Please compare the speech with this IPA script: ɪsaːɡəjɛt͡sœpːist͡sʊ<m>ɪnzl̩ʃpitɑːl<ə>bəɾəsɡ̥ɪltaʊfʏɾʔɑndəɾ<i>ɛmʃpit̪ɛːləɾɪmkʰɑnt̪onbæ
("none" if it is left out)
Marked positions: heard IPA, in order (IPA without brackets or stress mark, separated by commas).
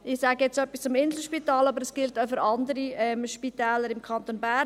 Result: m, ɑ, i